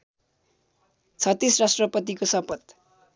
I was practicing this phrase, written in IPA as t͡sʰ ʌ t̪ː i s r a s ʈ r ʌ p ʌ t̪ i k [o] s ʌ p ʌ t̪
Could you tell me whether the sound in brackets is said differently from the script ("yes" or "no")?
no